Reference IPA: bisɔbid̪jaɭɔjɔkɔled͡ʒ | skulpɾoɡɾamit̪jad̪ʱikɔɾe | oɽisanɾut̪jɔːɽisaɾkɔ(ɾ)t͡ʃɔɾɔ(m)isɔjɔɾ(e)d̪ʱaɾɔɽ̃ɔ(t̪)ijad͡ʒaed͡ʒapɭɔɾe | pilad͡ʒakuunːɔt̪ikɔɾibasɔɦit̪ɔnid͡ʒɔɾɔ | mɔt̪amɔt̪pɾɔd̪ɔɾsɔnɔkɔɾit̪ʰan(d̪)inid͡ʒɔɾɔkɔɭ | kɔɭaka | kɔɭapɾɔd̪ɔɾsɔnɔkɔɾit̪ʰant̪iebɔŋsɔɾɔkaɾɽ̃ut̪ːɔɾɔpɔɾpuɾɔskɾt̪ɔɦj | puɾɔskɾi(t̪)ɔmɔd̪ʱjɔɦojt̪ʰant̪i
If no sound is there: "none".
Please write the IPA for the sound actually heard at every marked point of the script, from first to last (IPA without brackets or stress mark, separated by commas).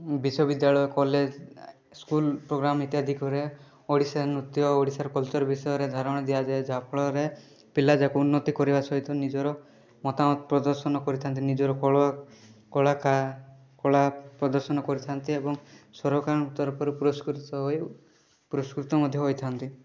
l, b, e, d̪, t̪, t̪